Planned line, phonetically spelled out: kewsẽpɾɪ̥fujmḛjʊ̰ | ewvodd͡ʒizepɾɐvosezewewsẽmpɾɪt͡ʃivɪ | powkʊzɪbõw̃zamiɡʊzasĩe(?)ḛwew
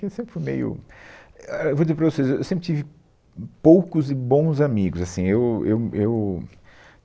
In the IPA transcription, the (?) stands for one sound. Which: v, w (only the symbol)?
w